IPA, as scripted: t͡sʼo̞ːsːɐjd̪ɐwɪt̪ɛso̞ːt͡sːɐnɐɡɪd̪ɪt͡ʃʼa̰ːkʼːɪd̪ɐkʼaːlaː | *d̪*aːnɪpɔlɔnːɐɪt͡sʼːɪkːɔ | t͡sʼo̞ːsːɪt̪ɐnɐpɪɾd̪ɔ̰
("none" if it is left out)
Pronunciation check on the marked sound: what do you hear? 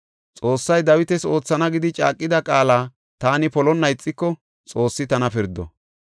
t̪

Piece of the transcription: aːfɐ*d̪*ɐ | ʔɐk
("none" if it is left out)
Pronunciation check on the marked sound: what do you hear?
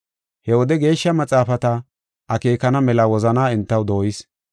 t̪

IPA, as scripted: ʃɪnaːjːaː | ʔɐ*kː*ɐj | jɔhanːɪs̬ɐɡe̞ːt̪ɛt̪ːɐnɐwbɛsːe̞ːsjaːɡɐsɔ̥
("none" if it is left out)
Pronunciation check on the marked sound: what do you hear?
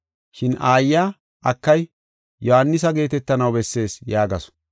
kː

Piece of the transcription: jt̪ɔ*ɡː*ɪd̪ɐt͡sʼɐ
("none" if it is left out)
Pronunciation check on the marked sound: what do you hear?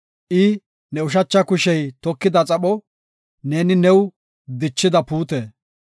kː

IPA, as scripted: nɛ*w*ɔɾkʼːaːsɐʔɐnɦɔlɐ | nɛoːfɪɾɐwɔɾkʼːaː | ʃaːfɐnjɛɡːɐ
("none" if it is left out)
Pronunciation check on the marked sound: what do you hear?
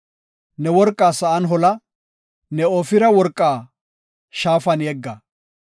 w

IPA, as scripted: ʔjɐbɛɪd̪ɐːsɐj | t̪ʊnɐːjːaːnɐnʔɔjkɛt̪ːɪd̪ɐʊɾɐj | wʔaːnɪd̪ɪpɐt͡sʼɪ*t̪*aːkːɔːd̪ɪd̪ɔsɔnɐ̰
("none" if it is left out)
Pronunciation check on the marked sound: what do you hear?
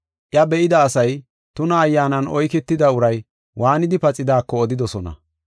d̪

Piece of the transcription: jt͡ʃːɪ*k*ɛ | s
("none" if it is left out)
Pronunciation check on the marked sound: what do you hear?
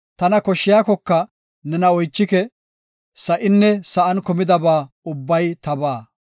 k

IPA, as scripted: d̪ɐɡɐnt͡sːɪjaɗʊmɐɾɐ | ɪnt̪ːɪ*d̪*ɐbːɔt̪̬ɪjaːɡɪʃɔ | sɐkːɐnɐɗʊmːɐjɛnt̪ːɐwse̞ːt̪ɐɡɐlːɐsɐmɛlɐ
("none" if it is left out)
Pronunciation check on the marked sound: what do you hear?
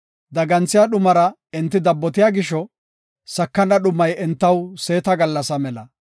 d̪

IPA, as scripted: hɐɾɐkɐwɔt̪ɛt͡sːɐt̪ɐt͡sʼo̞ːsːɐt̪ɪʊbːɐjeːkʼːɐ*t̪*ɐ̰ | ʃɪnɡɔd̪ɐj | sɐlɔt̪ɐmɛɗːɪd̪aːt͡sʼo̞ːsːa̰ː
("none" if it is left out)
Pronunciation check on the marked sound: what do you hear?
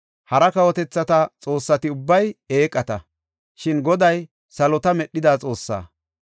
t̪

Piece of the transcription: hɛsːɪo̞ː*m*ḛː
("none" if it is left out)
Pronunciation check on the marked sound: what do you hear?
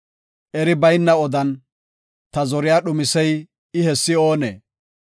n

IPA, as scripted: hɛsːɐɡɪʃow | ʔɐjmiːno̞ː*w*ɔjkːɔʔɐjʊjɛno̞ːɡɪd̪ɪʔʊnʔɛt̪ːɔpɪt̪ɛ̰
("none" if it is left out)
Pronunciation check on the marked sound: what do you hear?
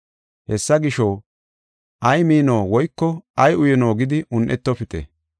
w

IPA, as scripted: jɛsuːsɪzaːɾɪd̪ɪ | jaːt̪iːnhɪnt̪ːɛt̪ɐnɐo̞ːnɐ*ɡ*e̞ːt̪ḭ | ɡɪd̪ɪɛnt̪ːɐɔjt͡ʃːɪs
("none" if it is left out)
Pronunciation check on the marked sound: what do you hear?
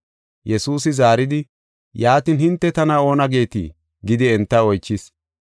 ɡ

